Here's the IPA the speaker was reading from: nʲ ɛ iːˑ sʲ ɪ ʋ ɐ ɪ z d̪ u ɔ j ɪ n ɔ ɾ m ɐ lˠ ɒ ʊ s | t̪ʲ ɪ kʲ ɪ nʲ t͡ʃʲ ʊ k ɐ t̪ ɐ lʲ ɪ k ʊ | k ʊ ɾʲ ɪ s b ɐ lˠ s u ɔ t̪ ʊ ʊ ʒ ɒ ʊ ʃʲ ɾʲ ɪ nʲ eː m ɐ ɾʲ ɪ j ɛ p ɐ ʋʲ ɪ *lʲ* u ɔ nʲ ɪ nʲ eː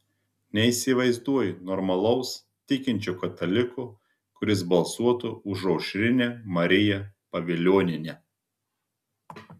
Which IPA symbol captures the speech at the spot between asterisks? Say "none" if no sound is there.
lʲ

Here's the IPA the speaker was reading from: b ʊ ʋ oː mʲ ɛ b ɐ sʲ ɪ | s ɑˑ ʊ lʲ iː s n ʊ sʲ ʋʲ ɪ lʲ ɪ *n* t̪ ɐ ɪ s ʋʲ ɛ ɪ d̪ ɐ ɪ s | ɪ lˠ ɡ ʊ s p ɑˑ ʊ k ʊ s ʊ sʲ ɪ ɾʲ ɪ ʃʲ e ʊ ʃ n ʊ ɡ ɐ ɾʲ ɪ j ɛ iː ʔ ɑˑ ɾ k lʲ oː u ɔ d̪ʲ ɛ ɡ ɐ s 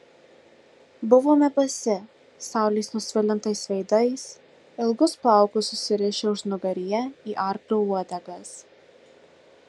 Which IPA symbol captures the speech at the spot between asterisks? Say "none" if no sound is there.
n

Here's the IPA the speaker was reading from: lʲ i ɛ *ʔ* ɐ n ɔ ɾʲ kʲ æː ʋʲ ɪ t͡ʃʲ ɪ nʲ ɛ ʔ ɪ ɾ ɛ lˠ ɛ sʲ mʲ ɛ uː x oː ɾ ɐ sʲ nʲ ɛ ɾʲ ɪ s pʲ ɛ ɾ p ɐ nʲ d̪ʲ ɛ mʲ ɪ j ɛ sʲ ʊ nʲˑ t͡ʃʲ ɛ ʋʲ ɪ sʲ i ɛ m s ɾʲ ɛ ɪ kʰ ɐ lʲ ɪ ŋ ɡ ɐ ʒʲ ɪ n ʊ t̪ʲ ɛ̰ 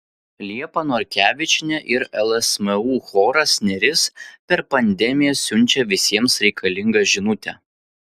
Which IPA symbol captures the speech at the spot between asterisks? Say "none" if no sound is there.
p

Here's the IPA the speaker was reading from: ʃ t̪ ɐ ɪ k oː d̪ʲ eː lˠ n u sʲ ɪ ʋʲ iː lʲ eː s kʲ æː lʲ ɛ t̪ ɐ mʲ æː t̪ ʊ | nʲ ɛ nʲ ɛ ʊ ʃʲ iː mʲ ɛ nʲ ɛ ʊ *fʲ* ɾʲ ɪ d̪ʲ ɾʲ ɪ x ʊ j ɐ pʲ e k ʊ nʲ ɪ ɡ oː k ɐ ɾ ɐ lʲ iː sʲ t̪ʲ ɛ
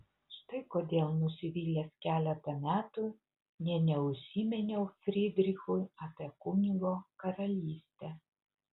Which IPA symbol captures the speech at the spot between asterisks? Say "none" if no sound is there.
fʲ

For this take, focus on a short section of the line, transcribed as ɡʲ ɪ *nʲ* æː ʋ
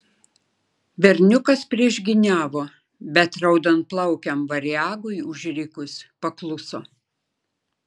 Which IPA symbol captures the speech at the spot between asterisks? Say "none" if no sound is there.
nʲ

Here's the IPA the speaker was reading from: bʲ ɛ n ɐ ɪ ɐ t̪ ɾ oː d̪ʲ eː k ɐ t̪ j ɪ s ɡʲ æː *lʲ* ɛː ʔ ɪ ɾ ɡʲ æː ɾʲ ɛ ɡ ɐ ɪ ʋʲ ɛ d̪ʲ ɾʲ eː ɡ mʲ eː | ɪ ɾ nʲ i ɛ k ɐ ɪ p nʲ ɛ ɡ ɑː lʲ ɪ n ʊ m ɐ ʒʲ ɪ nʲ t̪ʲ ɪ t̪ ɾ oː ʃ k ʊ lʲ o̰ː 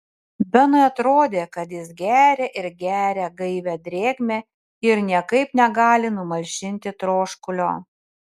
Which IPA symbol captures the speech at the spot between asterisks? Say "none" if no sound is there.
ɾʲ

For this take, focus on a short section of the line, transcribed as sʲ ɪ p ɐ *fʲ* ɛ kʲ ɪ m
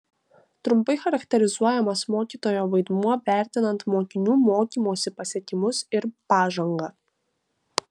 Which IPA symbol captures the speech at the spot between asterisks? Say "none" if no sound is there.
sʲ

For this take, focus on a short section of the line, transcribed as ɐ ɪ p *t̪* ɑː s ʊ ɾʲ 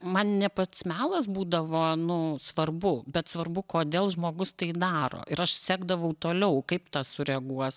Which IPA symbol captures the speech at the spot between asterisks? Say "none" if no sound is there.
t̪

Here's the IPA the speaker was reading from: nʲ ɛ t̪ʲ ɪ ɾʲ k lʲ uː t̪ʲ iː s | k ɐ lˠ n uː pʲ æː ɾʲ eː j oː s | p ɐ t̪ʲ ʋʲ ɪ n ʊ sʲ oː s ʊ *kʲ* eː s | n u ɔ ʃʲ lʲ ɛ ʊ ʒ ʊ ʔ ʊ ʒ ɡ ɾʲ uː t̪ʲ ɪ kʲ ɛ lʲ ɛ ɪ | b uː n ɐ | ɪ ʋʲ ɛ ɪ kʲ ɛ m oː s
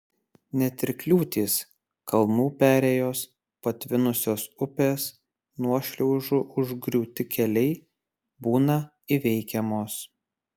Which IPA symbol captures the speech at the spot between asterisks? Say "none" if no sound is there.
pʲ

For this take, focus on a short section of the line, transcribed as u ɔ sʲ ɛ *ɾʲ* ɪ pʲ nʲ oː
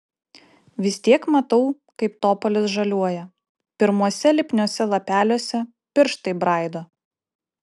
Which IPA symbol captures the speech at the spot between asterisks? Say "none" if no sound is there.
lʲ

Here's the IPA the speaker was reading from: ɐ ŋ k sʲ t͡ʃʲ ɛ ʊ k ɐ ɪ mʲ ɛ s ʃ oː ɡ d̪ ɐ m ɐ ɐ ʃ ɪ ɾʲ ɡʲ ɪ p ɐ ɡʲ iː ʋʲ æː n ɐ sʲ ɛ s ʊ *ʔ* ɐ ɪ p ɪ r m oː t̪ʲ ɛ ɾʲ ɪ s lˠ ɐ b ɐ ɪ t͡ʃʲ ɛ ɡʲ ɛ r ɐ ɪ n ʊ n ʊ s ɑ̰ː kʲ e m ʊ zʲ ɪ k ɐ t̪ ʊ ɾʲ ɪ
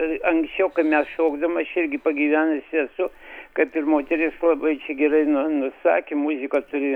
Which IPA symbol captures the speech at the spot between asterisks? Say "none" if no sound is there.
k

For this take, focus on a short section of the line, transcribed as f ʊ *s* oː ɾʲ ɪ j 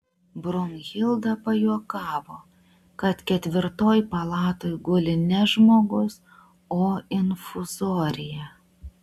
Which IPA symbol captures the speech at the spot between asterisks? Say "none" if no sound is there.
z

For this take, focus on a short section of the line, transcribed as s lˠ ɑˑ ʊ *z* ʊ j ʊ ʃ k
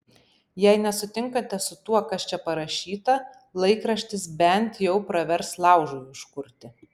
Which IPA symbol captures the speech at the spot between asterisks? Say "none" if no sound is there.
ʒ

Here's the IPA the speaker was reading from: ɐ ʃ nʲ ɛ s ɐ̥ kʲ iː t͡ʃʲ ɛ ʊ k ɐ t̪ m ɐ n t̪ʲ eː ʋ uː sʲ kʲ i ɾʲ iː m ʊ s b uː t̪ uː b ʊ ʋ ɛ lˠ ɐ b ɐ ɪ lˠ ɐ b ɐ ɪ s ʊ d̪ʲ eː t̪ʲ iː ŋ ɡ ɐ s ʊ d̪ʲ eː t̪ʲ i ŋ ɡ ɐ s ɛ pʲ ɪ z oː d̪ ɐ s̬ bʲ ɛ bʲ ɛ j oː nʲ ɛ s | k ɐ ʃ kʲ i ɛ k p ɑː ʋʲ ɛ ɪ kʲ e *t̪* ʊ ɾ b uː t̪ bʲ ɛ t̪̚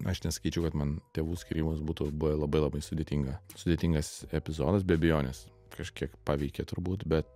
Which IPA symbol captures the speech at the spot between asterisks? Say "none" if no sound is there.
t̪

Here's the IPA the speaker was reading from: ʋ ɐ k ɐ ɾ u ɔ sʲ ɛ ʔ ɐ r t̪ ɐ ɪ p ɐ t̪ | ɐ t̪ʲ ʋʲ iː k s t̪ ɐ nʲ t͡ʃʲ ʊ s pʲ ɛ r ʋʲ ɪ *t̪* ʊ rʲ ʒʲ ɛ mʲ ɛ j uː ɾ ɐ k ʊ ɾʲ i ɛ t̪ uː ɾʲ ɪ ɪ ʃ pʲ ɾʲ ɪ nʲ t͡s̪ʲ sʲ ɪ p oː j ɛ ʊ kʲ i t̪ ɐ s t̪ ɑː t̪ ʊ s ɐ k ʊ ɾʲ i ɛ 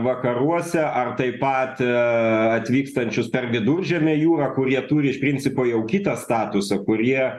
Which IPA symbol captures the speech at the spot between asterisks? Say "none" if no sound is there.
d̪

